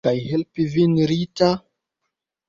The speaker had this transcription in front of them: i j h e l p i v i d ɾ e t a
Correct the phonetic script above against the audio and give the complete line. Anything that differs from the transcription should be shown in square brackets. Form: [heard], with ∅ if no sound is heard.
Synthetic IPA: [a] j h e l p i v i [n] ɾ [i] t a